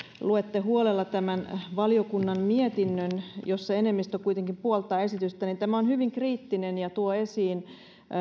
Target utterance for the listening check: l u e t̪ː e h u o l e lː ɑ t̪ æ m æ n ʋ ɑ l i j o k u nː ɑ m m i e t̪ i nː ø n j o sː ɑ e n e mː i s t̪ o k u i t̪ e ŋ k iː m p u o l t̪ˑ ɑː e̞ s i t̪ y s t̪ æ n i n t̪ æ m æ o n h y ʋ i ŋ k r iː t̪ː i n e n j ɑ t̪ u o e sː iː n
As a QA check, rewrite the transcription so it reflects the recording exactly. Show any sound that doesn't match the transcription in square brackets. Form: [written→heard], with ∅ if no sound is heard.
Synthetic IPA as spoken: l u e t̪ː e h u o l e lː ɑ t̪ æ m æ n ʋ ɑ l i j o k u nː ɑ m m i e t̪ i nː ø n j o sː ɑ e n e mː i s t̪ o k u i t̪ e ŋ k [iː→i] m p u o l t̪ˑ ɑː e̞ s i t̪ y s t̪ æ n i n t̪ æ m æ o n h y ʋ i ŋ k r iː t̪ː i n e n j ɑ t̪ u o e [sː→s] iː n